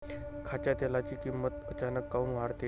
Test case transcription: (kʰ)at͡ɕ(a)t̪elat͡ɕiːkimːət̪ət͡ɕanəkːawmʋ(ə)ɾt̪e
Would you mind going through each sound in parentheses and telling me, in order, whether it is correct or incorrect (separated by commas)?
correct, correct, incorrect